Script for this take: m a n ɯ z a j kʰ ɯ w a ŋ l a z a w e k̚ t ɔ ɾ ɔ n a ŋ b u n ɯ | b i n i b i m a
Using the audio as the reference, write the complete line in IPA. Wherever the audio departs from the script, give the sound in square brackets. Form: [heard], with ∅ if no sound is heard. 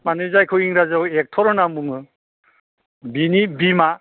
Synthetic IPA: m a n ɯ z a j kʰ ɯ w [i] ŋ [ɾ] a z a w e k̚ [tʰ] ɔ ɾ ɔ n a [m] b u [ŋ] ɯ | b i n i b i m a